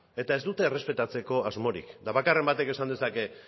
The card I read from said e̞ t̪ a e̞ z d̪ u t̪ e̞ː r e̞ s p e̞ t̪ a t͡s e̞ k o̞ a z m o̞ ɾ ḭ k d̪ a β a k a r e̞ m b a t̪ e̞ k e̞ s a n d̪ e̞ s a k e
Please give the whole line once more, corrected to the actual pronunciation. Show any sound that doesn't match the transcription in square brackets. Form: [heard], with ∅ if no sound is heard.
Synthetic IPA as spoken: e̞ t̪ a e̞ z d̪ u t̪ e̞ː r e̞ s p e̞ t̪ a t͡s e̞ k o̞ a z m o̞ ɾ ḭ k d̪ a β a k a r e̞ m b a t̪ e̞ k e̞ s a n d̪ e̞ s a k e